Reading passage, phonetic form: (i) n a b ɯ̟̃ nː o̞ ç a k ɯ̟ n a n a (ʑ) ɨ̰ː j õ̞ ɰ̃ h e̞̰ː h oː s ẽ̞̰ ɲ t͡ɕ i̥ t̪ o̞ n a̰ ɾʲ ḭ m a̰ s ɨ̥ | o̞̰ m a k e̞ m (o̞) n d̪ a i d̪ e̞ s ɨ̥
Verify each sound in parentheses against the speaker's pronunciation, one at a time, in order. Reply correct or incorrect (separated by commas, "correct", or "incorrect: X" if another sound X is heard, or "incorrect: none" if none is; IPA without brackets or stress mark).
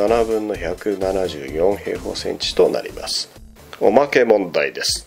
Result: incorrect: a, correct, incorrect: õ̞